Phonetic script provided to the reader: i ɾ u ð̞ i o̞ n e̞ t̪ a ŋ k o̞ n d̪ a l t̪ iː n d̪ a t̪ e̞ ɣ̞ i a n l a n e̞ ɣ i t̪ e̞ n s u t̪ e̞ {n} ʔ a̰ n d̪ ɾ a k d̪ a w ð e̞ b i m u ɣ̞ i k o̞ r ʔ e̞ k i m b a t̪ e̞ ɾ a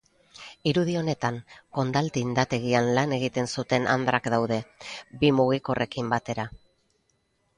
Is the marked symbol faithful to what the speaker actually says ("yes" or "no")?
yes